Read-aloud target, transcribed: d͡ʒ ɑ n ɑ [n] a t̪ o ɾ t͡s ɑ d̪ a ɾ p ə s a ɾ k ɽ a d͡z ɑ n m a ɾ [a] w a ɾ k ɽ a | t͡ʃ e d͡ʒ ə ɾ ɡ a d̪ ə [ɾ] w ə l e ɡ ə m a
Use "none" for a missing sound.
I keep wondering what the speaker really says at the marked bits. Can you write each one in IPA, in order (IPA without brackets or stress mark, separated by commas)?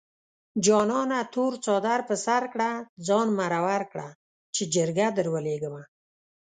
n, a, ɾ